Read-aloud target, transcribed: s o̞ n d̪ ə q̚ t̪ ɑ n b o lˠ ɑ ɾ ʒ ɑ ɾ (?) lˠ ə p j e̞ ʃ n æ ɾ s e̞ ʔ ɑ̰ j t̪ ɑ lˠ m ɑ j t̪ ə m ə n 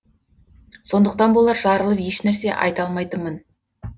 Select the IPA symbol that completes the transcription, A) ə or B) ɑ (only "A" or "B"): A